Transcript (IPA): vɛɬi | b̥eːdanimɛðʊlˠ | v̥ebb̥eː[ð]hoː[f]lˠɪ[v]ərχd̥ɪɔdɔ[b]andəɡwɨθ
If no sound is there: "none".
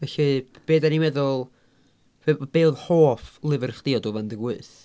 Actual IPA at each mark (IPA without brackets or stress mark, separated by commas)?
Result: ð, f, v, v